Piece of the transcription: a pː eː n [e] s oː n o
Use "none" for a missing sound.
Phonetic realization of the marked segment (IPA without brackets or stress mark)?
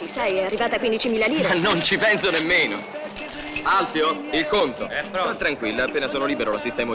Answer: a